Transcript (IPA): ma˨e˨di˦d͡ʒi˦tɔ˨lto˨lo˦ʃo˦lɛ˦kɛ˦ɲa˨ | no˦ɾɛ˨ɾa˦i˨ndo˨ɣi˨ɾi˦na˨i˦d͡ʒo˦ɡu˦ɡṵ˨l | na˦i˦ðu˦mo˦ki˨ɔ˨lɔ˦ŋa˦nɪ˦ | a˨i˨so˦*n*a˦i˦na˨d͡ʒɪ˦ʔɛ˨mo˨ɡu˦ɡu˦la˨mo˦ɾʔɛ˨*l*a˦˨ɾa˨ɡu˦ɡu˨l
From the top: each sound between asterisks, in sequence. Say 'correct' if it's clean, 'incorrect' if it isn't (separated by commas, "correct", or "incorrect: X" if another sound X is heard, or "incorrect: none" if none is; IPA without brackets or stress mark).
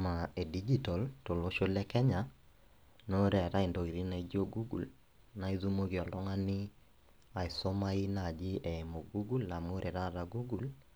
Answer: incorrect: m, incorrect: ɾ